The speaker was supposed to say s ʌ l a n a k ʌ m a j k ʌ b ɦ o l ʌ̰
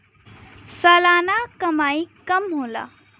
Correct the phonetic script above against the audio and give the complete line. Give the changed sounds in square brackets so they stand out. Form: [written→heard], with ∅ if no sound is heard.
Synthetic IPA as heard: s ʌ l a n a k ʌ m a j k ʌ [b→m] ɦ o l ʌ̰